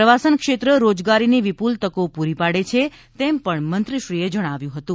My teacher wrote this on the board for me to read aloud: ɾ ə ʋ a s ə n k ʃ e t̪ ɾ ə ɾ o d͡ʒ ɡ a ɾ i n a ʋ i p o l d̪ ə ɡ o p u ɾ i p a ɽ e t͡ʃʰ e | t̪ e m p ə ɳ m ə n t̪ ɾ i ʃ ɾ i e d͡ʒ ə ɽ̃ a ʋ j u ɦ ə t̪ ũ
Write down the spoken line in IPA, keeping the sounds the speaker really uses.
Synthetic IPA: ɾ ə ʋ a s ə n k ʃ e t̪ ɾ ə ɾ o d͡ʒ ɡ a ɾ i n i ʋ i p u l t̪ ə k o p u ɾ i p a ɽ e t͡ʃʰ e | t̪ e m p ə ɳ m ə n t̪ ɾ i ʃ ɾ i e d͡ʒ ə ɽ̃ a ʋ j ũ ɦ ə t̪ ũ